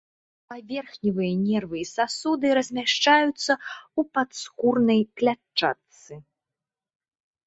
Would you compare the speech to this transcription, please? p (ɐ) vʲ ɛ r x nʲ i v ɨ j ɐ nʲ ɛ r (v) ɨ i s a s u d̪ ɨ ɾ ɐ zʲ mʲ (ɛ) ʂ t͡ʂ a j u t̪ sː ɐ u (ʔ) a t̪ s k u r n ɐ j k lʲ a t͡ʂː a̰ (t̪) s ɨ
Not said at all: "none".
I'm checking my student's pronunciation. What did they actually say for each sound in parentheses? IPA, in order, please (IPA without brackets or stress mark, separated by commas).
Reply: a, v, a, p, t̪